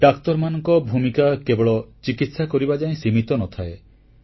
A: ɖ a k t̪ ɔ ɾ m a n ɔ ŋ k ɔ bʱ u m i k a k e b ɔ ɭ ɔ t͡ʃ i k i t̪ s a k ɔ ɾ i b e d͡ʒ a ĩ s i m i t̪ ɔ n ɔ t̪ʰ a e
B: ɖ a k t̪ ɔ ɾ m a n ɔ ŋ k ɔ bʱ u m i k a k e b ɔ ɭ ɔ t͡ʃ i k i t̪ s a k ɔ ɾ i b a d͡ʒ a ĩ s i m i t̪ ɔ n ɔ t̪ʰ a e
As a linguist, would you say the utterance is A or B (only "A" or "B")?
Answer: B